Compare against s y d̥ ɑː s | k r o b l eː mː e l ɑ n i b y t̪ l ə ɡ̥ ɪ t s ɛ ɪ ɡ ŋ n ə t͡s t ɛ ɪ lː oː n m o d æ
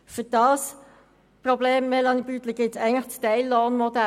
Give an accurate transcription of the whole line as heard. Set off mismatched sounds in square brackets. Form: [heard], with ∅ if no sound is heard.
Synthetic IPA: [f] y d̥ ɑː s | [p] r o b l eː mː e l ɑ n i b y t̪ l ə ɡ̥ ɪ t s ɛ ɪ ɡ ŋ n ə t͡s t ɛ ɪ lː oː n m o d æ